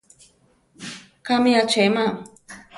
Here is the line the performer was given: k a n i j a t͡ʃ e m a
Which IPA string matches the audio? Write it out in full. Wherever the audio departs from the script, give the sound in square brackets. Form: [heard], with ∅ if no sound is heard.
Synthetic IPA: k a [m] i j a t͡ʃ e m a